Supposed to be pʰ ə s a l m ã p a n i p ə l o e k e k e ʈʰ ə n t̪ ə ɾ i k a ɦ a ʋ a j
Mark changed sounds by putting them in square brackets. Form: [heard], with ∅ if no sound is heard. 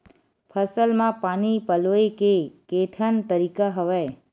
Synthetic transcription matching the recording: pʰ ə s [ə] l m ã p a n i p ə l o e k e k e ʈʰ ə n t̪ ə ɾ i k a ɦ [ə] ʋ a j